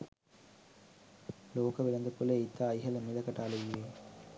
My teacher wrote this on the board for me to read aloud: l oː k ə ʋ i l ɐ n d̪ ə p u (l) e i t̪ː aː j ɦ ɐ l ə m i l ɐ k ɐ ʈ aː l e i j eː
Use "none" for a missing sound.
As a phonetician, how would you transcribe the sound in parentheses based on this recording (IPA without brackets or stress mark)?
l